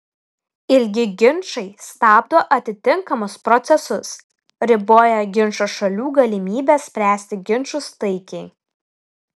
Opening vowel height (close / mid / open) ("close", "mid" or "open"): close